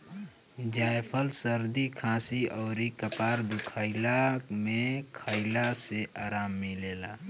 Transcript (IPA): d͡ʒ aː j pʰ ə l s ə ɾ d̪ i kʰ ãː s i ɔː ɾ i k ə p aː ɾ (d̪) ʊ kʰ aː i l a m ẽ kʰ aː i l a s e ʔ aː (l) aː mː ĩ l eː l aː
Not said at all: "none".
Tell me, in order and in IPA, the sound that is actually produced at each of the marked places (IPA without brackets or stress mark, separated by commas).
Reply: d̪, ɾ